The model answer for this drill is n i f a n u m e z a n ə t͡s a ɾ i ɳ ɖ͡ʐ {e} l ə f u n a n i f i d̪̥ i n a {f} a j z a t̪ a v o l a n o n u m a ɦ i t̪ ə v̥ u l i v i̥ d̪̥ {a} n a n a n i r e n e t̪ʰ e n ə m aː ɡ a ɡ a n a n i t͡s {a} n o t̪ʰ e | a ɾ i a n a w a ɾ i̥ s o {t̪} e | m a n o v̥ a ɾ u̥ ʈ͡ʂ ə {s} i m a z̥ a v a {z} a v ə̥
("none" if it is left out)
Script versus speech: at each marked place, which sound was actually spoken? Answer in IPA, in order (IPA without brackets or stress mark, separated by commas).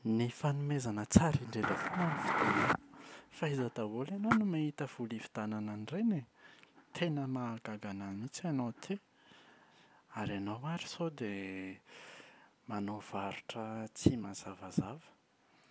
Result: e, f, a, a, d̪, t͡s, z